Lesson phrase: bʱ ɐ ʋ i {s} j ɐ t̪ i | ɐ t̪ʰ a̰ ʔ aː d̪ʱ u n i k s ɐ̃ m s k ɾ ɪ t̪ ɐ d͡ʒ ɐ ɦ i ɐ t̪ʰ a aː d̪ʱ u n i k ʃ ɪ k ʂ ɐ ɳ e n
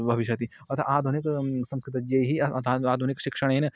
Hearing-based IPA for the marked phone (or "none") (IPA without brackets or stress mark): ʃ